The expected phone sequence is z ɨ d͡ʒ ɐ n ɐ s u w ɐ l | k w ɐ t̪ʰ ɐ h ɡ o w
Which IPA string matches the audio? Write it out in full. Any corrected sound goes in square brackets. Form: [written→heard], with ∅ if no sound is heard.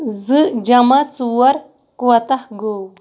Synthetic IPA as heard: z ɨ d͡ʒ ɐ [n→m] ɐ [s→t͡s] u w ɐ [l→ɾ] | k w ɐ [t̪ʰ→t̪] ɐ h ɡ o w